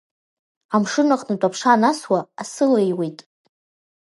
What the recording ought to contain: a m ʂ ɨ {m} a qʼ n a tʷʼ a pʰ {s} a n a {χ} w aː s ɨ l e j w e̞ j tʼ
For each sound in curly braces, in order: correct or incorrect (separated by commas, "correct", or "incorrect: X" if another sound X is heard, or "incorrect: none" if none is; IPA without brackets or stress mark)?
incorrect: n, incorrect: ʂ, incorrect: s